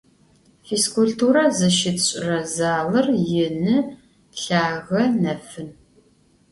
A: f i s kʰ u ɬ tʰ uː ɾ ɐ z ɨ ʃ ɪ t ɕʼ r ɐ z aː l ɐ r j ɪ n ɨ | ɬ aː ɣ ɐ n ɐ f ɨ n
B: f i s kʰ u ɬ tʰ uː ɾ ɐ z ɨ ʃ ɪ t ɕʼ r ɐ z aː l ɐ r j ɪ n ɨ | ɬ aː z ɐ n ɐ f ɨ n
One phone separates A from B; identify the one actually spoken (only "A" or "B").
A